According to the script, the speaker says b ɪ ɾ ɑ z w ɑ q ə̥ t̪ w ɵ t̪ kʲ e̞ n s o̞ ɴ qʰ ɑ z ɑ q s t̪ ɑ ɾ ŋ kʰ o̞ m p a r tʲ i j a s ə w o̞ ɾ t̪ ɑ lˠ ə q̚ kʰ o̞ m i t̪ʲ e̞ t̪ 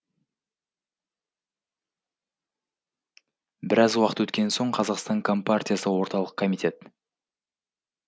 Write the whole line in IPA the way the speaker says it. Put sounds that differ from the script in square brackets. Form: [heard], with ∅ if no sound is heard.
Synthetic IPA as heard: b ɪ ɾ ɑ z w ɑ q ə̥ t̪ w ɵ t̪ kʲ e̞ n s o̞ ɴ qʰ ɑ z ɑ q s t̪ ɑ [∅] ŋ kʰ o̞ m p a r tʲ i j a s ə w o̞ ɾ t̪ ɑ lˠ ə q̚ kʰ o̞ m i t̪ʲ e̞ t̪